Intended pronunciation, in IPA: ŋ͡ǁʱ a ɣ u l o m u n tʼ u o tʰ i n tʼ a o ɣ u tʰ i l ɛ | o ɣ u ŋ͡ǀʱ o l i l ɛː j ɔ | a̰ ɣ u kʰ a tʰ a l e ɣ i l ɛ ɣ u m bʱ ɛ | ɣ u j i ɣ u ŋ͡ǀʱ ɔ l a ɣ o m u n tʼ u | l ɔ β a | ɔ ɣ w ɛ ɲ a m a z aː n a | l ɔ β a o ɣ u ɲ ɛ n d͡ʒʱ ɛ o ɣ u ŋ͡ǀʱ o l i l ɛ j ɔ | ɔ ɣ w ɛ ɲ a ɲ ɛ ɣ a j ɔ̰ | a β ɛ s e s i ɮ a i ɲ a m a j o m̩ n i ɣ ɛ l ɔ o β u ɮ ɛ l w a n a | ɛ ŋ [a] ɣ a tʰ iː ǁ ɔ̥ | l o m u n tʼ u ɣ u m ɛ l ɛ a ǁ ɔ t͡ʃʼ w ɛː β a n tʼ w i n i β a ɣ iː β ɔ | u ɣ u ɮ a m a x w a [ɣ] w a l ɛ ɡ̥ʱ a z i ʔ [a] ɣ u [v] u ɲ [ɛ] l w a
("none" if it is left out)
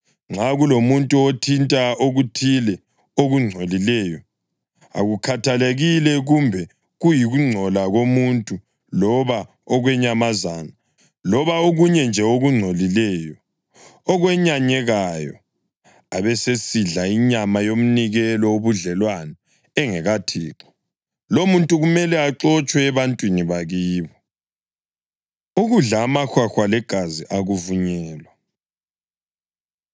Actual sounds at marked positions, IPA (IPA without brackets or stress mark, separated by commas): ɛ, x, a, v, ɛː